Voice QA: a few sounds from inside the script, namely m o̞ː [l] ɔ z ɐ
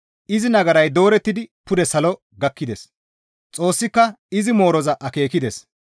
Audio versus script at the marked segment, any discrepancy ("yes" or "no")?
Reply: yes